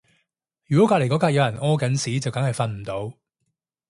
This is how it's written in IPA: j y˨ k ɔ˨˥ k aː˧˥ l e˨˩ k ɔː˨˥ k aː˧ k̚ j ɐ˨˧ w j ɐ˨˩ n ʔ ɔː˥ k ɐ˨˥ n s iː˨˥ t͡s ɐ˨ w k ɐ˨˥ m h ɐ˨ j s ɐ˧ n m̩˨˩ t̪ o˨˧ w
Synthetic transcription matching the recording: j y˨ k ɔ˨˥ k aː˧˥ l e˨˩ k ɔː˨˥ k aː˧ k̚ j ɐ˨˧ w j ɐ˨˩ n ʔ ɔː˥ k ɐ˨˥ n s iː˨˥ t͡s ɐ˨ w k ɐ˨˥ ŋ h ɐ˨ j f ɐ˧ n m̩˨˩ t̪ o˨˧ w